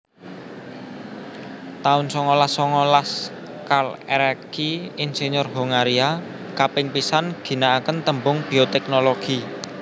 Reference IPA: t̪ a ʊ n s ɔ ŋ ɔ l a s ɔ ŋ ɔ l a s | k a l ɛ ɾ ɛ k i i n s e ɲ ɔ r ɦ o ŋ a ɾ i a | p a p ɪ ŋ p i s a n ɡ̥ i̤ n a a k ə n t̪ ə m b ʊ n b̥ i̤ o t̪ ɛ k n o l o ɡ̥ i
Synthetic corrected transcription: t̪ a ʊ n s ɔ ŋ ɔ l a s ɔ ŋ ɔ l a s | k a l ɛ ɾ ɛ k i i n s e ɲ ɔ r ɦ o ŋ a ɾ i a | k a p ɪ ŋ p i s a n ɡ̥ i̤ n a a k ə n t̪ ə m b ʊ ŋ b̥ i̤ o t̪ ɛ k n o l o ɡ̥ i